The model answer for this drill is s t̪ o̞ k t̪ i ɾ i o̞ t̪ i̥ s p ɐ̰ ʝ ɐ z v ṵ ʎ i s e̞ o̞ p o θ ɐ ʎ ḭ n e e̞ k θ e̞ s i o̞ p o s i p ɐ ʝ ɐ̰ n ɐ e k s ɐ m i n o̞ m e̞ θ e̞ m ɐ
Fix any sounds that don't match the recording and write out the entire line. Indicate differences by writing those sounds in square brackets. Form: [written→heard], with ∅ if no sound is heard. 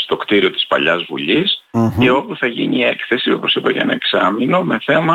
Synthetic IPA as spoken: s t̪ o̞ k t̪ i ɾ i o̞ t̪ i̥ s p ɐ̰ [ʝ→ʎ] ɐ z v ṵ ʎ i s e̞ o̞ p [o→u] θ ɐ [ʎ→ʝ] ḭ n [e→i] e̞ k θ e̞ s i o̞ p o s i p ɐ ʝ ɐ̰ n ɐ e k s ɐ m i n o̞ m e̞ θ e̞ m ɐ